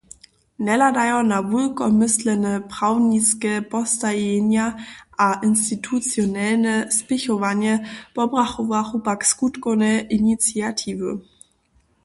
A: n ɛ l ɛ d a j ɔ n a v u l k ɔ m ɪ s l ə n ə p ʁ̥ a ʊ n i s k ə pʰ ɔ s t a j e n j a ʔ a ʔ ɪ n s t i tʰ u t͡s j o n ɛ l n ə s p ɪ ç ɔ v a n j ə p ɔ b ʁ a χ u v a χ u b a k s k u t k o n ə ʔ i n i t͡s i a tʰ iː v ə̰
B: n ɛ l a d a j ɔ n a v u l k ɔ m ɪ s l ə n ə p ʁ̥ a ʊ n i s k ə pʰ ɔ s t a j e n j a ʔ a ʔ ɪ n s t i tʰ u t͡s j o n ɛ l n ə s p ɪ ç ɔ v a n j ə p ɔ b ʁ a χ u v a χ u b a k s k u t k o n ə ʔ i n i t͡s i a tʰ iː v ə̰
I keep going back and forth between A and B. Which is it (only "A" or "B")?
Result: B